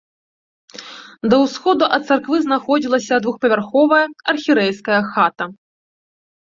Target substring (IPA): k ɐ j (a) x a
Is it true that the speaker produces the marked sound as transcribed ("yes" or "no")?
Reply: no